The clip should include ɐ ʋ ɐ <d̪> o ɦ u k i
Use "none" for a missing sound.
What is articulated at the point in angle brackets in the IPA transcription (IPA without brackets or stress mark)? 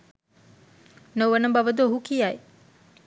d̪